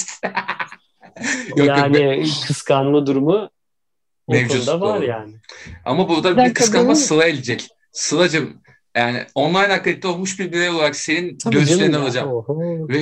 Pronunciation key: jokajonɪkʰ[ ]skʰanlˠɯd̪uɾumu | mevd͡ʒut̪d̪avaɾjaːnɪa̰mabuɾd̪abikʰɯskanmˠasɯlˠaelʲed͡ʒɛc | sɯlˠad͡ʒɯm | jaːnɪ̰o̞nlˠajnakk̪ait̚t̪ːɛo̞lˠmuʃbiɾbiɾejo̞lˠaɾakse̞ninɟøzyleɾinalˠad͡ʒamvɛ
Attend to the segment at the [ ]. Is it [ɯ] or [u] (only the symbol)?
ɯ